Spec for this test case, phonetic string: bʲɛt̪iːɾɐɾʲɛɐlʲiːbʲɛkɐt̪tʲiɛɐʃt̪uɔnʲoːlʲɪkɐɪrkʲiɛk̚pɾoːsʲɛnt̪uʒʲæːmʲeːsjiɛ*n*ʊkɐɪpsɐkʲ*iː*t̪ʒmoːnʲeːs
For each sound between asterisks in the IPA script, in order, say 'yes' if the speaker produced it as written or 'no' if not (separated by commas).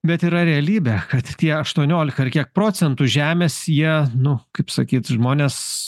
yes, yes